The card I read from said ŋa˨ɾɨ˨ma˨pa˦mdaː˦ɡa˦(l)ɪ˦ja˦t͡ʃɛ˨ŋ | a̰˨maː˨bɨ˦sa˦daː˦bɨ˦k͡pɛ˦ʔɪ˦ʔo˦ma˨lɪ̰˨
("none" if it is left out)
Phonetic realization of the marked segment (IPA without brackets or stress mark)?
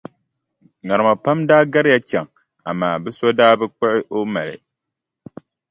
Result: ɾ